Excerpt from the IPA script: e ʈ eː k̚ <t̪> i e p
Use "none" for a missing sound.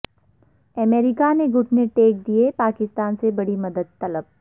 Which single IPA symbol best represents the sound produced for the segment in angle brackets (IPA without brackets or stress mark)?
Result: d̪